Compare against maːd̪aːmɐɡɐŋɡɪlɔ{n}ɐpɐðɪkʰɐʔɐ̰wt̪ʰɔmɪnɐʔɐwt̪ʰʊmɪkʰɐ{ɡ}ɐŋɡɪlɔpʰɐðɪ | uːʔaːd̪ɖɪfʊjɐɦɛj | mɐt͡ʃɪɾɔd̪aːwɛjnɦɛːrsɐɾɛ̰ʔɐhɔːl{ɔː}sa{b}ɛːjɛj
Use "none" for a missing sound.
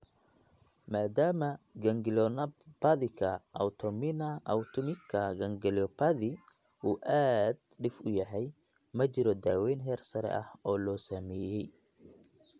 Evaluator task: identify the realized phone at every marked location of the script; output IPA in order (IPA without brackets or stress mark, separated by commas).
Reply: n, ɡ, ɔː, m